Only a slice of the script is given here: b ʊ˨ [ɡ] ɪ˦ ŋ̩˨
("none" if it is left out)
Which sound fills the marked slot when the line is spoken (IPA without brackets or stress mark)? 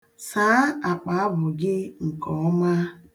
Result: ɡ